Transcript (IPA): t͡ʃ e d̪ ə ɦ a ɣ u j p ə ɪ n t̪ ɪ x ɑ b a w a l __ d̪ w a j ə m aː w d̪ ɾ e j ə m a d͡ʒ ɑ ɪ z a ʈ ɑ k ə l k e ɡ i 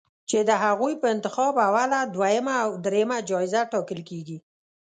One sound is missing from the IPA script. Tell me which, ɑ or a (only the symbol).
a